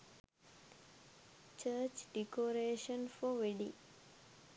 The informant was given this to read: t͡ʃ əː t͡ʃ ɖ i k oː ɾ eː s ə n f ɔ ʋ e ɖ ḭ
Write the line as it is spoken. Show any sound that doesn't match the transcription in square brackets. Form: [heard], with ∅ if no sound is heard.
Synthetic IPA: t͡ʃ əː t͡ʃ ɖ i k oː ɾ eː [ʃ] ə n f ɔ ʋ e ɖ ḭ